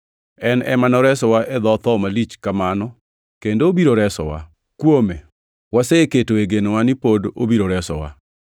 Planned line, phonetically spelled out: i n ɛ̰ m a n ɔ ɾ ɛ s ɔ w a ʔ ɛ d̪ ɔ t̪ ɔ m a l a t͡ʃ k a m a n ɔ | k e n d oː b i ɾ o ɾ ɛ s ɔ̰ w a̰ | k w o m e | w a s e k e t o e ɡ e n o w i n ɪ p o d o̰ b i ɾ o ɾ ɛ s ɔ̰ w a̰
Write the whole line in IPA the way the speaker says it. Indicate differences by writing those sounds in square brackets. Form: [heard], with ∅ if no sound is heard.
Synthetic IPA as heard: [ɛ] n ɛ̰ m a n ɔ ɾ ɛ s ɔ w a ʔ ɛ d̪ ɔ t̪ ɔ m a l [i] t͡ʃ k a m a n ɔ | k e n d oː b i ɾ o ɾ ɛ s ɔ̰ w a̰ | k w o m e | w a s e k e t o e ɡ e n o w [a] n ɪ p o d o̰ b i ɾ o ɾ ɛ s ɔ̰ w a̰